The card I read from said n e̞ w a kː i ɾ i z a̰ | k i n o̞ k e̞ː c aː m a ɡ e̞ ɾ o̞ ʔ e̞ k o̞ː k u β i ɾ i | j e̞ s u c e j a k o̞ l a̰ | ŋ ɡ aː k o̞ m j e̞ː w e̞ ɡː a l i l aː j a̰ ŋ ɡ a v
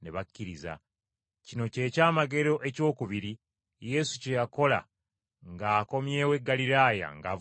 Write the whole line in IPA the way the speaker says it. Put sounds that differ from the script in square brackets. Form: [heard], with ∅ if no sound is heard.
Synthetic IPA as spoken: n e̞ [β] a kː i ɾ i z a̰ | [c] i n o̞ [c] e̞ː c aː m a ɡ e̞ ɾ o̞ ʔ e̞ [c] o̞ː k u β i ɾ i | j e̞ s u c e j a k o̞ l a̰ | ŋ ɡ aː k o̞ m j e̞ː w e̞ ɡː a l i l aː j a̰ ŋ ɡ a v

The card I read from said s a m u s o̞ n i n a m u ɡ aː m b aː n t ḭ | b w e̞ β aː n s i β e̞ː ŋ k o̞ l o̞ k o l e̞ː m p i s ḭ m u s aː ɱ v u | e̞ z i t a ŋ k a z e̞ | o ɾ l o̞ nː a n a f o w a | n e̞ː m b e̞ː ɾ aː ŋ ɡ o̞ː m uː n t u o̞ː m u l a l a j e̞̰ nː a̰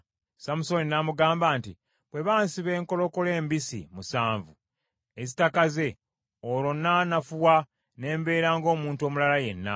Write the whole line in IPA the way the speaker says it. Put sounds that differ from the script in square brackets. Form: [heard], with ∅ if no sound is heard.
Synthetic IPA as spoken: s a m u s o̞ n i n a m u ɡ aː m b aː n t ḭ | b w e̞ β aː n s i β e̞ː ŋ k o̞ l o̞ k o l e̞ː m [b] i s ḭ m u s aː ɱ v u | e̞ z i t a [∅] k a z e̞ | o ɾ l o̞ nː a n a f [u] w a | n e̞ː m b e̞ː ɾ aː ŋ ɡ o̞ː m uː n t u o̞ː m u l a l a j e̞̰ nː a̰

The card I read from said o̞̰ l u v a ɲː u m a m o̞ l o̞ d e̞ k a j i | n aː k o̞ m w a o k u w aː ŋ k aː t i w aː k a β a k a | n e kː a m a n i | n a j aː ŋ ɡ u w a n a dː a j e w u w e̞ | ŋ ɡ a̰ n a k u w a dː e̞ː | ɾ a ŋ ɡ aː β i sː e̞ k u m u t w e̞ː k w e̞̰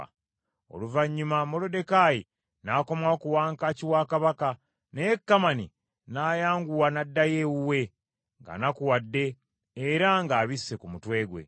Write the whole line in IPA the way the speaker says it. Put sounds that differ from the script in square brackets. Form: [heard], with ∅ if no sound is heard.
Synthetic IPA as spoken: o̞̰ l u v a ɲː u m a m o̞ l o̞ d e̞ k a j i | n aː k o̞ m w a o k u w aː ŋ k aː [c] i w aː k a β a k a | n e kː a m a n i | n a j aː ŋ ɡ u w a n a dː a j e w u w e̞ | ŋ ɡ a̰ n a k u w a dː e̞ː | ɾ a ŋ ɡ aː β i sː e̞ k u m u t w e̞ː [ɡ] w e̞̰

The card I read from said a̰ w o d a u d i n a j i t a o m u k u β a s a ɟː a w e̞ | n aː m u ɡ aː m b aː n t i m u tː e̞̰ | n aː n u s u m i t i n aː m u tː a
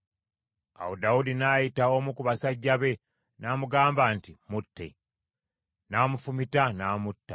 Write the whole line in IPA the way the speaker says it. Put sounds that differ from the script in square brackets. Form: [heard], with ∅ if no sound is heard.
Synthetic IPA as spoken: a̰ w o d a u d i n a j i t a o m u k u β a s a ɟː a [β] e̞ | n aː m u ɡ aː m b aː n t i m u tː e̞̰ | n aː [m] u [f] u m i t [a] n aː m u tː a

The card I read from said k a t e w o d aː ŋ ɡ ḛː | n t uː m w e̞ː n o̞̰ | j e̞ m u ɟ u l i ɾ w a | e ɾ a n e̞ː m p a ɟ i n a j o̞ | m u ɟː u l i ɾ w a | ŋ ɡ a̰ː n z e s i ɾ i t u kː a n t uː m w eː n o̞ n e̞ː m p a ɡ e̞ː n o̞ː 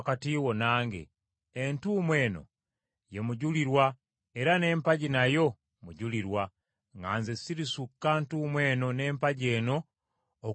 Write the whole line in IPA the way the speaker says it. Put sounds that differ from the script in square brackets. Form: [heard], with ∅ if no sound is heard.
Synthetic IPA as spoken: k a t [i] w o [n] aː ŋ ɡ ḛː | n t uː m w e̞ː n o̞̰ | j e̞ m u ɟ u l i ɾ w a | e ɾ a n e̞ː m p a ɟ i n a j o̞ | m u [ɟ] u l i ɾ w a | ŋ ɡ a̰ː n z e s i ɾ i [s] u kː a n t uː m w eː n o̞ n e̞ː m p a [ɟ] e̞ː n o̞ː

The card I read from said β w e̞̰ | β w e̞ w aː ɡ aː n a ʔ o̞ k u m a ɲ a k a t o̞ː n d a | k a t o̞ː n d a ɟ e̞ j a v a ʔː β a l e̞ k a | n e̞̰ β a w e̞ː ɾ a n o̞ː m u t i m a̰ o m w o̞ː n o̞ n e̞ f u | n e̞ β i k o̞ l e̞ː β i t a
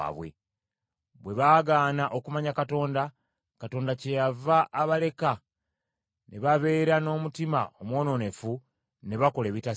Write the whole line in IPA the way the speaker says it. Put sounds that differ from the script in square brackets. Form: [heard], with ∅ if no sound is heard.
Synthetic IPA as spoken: β w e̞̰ | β w e̞ [β] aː ɡ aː n a ʔ o̞ k u m a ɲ a k a t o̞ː n d a | k a t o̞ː n d a [c] e̞ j a v a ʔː β a l e̞ k a | n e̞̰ β a [β] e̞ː ɾ a n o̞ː m u t i m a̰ o m w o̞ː n o̞ n e̞ f u | n e̞ β [a] k o̞ l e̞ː β i t a

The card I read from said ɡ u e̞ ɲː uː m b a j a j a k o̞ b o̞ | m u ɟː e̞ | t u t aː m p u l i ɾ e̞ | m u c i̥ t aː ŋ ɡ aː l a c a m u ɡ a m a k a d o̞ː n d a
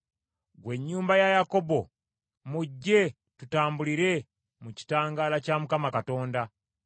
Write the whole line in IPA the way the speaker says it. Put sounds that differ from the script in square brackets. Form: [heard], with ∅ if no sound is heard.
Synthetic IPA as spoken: ɡ [w] e̞ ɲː uː m b a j a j a k o̞ b o̞ | m u ɟː e̞ | t u t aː m [b] u l i ɾ e̞ | m u c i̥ t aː ŋ ɡ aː l a c a m u [k] a m a k a [t] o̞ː n d a

